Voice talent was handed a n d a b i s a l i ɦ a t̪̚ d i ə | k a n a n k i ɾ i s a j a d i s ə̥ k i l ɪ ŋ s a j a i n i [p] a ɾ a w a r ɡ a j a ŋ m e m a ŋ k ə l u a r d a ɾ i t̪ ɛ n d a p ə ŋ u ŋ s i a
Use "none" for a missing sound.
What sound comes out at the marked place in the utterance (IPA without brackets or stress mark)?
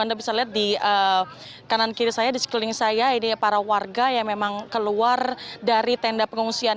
p